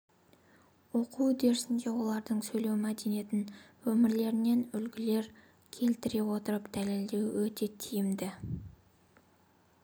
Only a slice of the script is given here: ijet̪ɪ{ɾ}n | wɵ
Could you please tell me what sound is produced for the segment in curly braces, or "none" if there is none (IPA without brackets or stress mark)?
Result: none